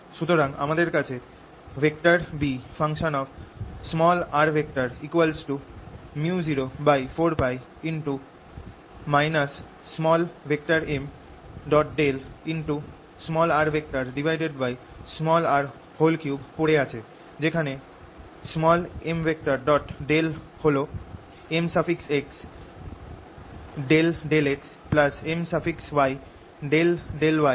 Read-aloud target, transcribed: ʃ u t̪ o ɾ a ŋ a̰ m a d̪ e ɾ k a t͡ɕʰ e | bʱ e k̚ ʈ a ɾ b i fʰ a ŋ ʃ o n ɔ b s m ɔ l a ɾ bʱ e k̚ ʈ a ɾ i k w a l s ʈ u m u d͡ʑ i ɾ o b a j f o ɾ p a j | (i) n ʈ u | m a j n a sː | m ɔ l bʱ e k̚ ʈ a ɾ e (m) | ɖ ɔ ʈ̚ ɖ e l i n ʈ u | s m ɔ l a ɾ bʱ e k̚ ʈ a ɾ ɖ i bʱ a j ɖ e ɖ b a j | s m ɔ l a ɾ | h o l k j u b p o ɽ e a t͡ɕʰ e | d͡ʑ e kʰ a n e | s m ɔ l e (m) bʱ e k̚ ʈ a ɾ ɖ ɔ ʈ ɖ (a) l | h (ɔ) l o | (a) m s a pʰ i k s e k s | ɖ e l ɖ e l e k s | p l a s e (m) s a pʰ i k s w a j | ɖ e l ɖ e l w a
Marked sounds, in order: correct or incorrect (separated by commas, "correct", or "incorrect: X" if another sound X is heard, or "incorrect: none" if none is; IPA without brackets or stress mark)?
correct, correct, correct, incorrect: e, incorrect: o, incorrect: e, correct